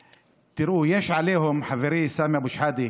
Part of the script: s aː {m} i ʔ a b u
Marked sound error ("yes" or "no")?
no